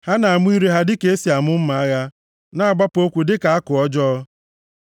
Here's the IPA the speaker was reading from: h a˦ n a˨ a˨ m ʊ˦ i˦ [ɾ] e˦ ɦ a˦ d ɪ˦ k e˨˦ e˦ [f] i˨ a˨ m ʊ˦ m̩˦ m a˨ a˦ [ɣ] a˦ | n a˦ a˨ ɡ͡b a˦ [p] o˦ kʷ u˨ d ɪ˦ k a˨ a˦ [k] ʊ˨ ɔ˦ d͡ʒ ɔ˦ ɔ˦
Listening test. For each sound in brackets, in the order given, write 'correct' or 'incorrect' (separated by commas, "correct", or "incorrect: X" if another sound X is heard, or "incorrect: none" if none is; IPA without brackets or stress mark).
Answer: correct, incorrect: s, correct, correct, correct